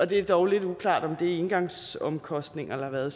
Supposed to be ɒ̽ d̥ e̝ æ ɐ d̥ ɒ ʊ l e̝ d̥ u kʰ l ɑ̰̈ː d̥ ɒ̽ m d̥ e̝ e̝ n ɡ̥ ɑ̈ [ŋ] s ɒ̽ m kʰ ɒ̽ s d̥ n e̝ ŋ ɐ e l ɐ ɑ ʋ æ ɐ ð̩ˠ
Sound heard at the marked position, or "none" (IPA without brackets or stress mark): ŋ